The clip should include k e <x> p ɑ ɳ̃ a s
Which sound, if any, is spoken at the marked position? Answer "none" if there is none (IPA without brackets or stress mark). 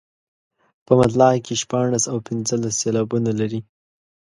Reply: ʃ